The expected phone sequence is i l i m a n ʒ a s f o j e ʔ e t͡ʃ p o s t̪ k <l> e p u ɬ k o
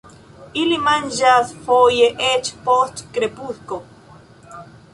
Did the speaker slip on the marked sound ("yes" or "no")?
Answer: yes